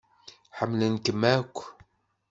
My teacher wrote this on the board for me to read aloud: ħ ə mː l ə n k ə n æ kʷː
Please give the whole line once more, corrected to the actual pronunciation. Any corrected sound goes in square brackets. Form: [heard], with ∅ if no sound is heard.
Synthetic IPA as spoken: ħ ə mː l ə n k ə [m] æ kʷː